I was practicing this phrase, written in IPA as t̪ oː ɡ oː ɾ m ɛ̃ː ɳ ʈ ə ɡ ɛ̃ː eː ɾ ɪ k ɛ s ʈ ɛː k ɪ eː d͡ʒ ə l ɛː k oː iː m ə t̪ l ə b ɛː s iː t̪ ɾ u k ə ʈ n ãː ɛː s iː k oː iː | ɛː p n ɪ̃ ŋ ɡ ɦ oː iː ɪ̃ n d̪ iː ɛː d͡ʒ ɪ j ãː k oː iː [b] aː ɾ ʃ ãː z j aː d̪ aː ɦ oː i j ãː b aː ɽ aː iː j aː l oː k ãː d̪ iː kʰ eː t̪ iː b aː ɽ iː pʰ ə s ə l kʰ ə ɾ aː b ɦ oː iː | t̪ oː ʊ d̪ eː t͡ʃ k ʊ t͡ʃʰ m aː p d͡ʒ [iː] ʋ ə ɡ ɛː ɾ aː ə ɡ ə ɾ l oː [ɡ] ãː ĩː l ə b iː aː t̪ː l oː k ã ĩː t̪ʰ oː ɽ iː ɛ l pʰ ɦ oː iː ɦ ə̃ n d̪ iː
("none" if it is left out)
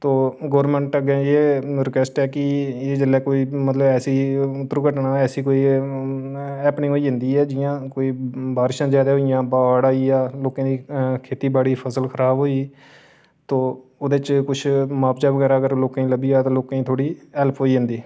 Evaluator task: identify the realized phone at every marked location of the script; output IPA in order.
b, aː, k

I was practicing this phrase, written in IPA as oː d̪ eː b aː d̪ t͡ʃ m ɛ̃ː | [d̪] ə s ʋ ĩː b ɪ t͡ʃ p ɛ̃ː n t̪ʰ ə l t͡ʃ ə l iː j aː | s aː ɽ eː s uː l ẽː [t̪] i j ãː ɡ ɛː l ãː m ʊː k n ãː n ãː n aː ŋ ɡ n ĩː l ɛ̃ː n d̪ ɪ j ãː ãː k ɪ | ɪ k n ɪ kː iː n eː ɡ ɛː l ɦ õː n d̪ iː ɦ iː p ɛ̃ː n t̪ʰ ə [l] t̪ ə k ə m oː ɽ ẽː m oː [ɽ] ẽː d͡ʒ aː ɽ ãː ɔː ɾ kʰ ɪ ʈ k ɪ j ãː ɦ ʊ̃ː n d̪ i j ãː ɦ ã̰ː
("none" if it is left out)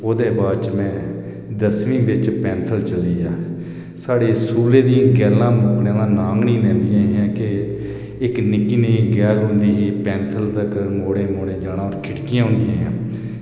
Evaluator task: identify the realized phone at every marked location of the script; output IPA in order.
d̪, d̪, l, ɽ

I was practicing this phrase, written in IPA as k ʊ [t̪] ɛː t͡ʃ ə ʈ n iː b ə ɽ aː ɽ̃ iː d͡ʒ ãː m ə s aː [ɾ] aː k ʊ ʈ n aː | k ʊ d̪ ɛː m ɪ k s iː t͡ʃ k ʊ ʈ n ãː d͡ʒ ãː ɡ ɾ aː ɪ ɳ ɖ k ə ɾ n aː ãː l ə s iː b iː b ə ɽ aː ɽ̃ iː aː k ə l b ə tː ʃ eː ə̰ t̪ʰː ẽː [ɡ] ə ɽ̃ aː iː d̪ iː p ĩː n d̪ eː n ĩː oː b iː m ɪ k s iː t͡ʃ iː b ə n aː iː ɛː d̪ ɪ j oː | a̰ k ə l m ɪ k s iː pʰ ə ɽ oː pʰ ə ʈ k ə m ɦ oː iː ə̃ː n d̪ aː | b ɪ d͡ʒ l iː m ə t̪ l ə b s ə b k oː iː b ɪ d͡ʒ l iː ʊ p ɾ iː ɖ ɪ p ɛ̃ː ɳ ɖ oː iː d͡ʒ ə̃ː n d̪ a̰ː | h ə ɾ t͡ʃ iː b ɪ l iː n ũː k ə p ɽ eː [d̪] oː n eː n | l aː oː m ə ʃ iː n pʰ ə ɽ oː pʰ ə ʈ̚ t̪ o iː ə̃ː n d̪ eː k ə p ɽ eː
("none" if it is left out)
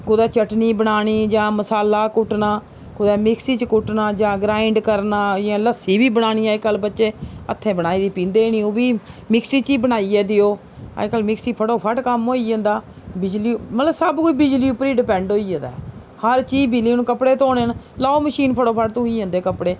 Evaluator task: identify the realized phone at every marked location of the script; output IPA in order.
d̪, l, b, t̪

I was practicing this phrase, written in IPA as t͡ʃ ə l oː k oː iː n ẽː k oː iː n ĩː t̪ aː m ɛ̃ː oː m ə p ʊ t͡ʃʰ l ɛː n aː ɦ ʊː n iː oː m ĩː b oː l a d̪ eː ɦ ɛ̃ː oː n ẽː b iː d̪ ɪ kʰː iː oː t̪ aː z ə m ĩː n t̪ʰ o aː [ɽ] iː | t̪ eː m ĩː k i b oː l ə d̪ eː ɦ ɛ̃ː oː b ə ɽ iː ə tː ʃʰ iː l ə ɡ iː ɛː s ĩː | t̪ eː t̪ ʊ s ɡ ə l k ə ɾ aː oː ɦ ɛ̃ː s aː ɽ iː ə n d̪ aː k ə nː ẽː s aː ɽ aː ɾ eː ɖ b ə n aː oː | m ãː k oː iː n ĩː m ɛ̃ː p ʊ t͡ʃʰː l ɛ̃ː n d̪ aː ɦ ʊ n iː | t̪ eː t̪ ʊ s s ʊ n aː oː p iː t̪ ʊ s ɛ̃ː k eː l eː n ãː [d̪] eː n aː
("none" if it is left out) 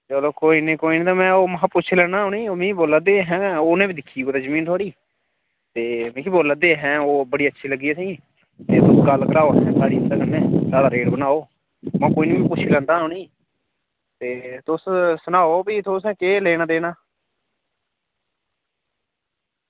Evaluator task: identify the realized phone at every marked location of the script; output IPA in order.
ɽ, d̪

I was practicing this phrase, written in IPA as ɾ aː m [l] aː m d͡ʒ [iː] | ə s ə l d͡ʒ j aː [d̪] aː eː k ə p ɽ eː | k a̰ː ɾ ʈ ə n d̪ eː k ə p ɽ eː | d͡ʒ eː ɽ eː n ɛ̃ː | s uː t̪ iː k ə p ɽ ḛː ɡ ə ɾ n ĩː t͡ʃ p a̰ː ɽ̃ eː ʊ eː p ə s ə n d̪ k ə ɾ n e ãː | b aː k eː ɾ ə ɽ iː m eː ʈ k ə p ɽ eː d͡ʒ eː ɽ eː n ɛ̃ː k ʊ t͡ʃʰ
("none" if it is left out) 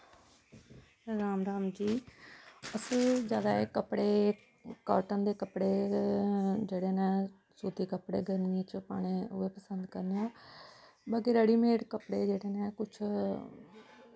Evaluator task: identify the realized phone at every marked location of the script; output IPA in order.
ɾ, iː, d̪

